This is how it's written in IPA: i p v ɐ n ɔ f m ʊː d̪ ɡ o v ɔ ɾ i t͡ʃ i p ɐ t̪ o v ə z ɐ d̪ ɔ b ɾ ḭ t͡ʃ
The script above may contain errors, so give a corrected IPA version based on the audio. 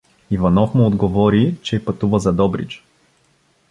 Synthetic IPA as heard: i v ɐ n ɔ f m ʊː d̪ ɡ o v ɔ ɾ i t͡ʃ ɛ p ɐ t̪ u v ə z ɐ d̪ ɔ b ɾ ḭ t͡ʃ